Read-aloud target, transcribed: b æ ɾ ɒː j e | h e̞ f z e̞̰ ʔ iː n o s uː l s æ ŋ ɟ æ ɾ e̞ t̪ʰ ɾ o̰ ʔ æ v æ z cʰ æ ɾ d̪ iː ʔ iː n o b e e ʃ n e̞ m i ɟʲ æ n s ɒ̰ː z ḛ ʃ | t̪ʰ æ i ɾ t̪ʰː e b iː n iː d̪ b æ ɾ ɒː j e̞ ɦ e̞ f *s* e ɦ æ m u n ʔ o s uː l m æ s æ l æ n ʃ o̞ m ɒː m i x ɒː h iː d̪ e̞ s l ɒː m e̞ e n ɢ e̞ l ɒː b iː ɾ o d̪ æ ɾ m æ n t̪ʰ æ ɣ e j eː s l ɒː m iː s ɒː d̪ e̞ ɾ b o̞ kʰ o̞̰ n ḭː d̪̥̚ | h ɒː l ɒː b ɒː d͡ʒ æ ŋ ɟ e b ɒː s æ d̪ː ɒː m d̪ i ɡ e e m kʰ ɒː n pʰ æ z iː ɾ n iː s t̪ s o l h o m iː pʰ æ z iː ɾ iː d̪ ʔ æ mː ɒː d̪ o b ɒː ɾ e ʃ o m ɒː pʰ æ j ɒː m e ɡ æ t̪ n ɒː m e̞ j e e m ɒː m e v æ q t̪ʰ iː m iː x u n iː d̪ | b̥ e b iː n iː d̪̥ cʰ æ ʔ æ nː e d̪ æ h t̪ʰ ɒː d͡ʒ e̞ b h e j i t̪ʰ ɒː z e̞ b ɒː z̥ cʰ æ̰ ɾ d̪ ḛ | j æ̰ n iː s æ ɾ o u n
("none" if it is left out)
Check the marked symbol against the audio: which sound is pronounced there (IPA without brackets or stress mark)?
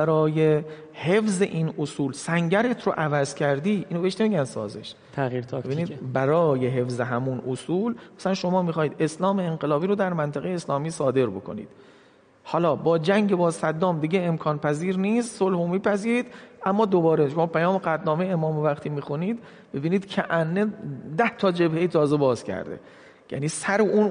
z